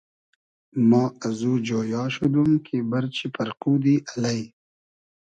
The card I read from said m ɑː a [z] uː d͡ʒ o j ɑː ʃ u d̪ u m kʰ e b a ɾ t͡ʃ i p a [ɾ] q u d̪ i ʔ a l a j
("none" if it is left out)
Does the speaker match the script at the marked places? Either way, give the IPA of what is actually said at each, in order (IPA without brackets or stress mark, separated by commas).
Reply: z, ɾ